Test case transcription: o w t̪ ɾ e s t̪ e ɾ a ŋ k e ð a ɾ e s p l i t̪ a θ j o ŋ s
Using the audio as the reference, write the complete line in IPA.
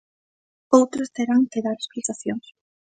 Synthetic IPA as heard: o w t̪ ɾ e s t̪ e ɾ a ŋ k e ð a ɾ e s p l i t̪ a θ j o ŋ s